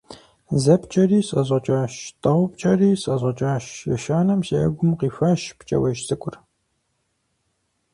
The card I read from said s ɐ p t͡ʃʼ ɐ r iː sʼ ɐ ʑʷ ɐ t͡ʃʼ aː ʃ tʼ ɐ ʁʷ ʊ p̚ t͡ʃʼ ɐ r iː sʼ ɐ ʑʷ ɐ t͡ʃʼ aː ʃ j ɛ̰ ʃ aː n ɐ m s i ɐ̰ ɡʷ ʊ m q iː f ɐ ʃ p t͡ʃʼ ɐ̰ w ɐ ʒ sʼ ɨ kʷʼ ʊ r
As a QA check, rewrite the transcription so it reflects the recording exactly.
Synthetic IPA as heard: z ɐ p t͡ʃʼ ɐ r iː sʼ ɐ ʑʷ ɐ t͡ʃʼ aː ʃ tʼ ɐ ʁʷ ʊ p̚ t͡ʃʼ ɐ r iː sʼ ɐ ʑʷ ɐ t͡ʃʼ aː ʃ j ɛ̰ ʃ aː n ɐ m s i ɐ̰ ɡʷ ʊ m q iː f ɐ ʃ p t͡ʃʼ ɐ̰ w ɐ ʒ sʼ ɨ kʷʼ ʊ r